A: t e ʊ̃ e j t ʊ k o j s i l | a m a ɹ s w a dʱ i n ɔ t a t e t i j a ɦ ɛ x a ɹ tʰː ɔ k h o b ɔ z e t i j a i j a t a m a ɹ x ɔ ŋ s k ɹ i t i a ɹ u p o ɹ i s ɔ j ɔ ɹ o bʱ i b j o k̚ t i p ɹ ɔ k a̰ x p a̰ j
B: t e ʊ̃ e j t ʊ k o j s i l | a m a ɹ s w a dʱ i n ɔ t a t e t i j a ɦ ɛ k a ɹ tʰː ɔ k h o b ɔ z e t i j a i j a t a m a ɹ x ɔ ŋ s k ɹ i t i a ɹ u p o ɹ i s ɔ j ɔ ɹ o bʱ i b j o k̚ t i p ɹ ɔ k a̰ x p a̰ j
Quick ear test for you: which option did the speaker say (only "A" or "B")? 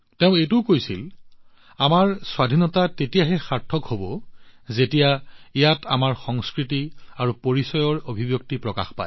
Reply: A